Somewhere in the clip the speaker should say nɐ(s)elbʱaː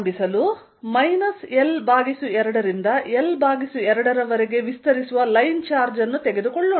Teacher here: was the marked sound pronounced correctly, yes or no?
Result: yes